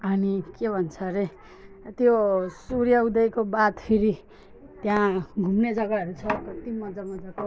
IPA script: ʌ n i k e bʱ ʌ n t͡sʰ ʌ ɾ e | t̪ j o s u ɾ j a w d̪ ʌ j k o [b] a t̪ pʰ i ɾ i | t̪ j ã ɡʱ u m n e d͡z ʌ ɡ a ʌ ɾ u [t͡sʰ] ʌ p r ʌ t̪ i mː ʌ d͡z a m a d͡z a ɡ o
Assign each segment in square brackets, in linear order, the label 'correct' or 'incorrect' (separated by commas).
correct, correct